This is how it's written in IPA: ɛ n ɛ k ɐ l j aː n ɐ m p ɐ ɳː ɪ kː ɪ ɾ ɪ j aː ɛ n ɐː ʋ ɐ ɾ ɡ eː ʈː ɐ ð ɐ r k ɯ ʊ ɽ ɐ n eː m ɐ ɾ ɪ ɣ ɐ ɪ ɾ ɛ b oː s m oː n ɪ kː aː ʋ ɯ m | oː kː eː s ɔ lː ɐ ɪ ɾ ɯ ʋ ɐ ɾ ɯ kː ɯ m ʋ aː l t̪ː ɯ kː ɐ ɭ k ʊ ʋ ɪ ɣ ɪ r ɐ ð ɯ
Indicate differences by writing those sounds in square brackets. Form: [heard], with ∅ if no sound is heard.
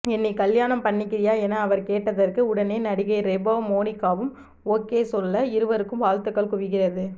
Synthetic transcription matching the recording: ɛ [nː] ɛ k ɐ l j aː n ɐ m p ɐ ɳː ɪ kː ɪ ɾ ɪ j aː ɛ n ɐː ʋ ɐ ɾ [k] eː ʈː ɐ ð ɐ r k ɯ ʊ ɽ ɐ n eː [n] ɐ [ɽ] ɪ ɣ ɐ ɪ ɾ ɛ b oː [∅] m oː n ɪ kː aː ʋ ɯ m | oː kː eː s ɔ lː ɐ ɪ ɾ ɯ ʋ ɐ ɾ ɯ kː ɯ m ʋ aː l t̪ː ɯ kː ɐ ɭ k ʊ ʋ ɪ ɣ ɪ r ɐ ð ɯ